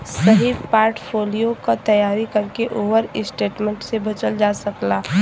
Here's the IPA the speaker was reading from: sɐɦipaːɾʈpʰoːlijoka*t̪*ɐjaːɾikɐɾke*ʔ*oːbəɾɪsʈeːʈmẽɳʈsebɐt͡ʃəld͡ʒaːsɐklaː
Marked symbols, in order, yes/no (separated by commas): yes, yes